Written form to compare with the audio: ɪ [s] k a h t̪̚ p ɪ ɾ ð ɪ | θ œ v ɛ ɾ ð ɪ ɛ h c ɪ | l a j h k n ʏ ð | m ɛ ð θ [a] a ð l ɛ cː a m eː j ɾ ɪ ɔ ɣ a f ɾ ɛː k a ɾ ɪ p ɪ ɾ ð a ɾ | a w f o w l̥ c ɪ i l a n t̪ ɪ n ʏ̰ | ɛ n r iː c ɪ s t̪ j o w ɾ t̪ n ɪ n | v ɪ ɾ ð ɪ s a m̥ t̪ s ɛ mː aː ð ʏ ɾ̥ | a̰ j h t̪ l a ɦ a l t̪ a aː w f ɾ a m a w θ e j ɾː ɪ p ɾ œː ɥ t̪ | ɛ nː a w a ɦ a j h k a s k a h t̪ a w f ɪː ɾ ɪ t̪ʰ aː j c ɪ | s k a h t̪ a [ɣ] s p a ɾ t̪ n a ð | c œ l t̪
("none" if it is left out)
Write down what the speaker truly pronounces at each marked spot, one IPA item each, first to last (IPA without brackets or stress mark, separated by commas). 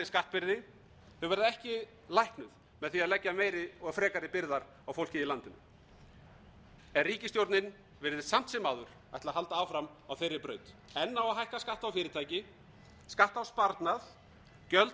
s, i, w